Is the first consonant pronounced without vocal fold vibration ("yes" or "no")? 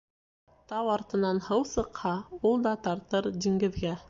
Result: yes